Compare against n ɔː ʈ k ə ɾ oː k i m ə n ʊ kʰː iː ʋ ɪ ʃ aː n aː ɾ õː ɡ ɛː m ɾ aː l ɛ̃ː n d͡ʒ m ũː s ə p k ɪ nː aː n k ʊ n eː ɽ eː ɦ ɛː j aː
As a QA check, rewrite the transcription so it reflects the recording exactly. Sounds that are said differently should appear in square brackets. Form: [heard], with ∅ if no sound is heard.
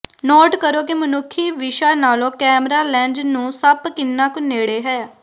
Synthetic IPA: n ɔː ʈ k ə ɾ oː k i m ə n ʊ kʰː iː ʋ ɪ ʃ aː n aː [l] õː [k] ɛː m ɾ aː l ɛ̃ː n d͡ʒ [n] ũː s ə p k ɪ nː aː [∅] k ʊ n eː ɽ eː ɦ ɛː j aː